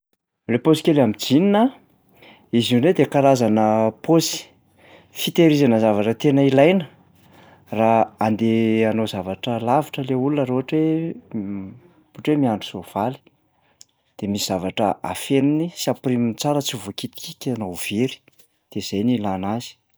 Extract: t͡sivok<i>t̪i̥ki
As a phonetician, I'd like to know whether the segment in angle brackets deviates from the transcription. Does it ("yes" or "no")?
no